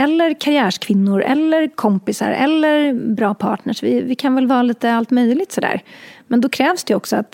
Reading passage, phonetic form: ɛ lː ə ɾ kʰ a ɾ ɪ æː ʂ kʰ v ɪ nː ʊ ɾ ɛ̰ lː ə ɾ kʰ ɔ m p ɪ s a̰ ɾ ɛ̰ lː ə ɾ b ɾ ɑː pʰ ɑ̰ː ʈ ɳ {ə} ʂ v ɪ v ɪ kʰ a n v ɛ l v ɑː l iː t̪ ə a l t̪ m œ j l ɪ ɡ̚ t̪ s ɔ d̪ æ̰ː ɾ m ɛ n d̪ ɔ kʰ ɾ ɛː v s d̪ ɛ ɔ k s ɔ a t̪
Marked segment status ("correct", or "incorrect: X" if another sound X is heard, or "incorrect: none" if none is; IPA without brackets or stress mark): correct